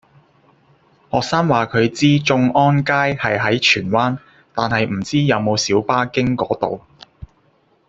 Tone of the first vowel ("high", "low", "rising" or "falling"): low